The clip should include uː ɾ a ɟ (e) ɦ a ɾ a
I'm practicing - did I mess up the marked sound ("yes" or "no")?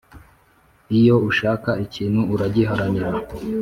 yes